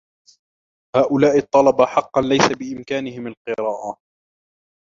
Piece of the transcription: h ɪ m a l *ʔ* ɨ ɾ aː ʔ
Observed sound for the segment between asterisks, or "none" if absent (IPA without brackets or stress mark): q